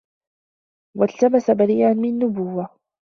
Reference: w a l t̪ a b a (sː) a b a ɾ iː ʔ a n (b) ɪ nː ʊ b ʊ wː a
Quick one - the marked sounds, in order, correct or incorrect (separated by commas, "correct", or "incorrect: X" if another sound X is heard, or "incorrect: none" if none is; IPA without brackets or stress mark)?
incorrect: s, incorrect: m